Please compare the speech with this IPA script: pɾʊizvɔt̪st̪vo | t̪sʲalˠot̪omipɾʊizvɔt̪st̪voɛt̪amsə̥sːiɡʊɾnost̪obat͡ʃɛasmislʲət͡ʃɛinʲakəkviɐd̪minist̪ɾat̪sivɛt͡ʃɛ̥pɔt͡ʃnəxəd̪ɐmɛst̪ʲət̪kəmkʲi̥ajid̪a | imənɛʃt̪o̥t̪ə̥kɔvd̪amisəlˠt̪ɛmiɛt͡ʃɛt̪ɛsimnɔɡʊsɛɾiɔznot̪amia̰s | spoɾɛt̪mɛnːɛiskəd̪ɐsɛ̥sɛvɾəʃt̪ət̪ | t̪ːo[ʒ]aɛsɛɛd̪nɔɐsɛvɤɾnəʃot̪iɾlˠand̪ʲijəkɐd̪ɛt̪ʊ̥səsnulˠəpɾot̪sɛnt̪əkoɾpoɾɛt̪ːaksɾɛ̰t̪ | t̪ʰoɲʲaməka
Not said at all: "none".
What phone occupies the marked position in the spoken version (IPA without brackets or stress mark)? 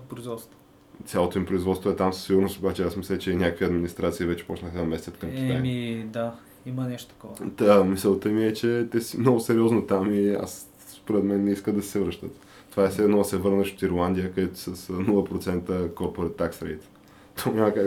v